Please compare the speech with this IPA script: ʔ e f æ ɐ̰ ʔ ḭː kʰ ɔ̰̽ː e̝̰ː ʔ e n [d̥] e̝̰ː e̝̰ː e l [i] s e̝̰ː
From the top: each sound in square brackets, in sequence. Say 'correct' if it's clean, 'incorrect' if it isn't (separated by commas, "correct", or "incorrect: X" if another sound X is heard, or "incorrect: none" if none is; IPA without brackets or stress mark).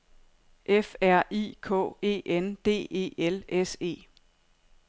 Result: correct, incorrect: e